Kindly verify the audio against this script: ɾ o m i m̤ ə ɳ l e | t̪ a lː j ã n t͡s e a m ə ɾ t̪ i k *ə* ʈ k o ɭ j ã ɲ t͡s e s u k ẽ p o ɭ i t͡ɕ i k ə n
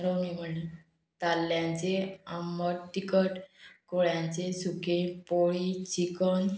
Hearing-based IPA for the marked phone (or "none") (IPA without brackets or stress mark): ə